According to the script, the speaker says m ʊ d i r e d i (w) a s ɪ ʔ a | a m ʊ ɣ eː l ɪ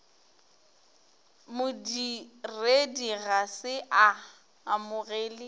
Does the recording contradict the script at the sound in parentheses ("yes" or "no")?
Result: yes